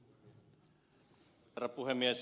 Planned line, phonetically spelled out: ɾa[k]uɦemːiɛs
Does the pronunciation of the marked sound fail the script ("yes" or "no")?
yes